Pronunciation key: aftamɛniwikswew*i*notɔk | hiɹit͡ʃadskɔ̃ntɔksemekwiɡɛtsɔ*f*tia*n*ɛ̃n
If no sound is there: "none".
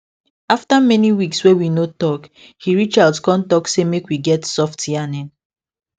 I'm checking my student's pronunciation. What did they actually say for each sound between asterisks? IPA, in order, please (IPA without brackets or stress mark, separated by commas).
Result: i, f, n